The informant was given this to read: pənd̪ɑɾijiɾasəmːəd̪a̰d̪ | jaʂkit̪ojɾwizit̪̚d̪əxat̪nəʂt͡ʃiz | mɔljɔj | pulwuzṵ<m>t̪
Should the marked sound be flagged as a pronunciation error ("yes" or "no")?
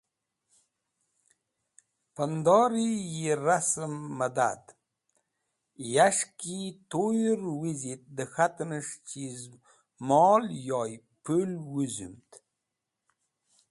no